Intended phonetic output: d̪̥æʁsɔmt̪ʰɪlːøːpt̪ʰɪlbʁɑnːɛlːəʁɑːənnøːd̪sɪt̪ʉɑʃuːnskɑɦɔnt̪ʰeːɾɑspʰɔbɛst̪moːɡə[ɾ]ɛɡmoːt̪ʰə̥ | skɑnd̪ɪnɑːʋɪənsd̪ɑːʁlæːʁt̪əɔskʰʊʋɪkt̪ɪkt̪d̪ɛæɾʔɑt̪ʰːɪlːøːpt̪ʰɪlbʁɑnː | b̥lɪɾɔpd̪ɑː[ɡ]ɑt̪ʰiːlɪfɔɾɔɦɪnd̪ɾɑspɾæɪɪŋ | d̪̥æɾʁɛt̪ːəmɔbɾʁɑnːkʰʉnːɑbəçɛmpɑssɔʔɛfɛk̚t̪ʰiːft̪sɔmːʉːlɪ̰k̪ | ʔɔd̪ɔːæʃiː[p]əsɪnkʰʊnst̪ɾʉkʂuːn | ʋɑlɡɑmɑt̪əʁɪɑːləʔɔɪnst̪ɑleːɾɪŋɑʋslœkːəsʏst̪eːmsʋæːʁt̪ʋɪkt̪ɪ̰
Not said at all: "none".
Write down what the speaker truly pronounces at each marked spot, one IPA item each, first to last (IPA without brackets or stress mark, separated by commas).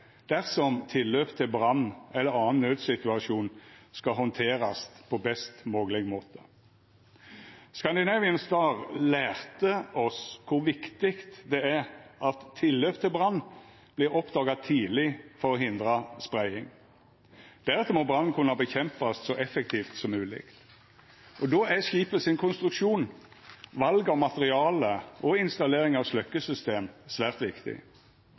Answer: l, ɡ, p